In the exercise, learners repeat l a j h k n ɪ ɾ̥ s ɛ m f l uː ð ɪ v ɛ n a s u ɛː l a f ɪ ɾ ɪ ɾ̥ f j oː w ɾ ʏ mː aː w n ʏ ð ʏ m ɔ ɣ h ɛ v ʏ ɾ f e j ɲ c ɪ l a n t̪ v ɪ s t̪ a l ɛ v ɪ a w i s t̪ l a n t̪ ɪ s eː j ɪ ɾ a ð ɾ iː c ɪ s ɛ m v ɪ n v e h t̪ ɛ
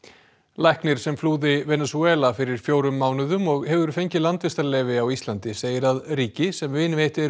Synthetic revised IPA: l a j h k n ɪ ɾ̥ s ɛ m f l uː ð ɪ v ɛ n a s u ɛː l a f ɪ ɾ ɪ ɾ̥ f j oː w ɾ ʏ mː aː w n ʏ ð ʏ m ɔ ɣ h ɛ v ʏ ɾ f e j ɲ c ɪ l a n t̪ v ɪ s t̪ a l ɛ v ɪ a w i s t̪ l a n t̪ ɪ s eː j ɪ ɾ a ð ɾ iː c ɪ s ɛ m v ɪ n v e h t̪ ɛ